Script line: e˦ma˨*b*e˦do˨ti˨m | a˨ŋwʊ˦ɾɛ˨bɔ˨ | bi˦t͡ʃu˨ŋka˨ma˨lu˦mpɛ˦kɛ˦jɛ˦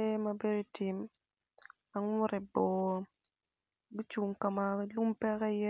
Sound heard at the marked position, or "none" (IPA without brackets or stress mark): b